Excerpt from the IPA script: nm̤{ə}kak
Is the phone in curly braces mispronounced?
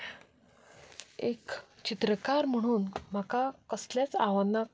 yes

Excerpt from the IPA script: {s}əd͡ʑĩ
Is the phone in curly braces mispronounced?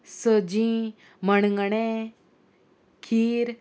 no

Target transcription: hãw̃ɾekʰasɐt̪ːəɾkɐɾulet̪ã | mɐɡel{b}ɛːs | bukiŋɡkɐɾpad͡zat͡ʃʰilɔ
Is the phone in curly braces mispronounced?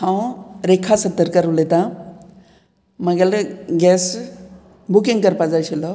yes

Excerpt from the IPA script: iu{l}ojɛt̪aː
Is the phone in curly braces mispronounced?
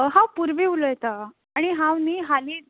no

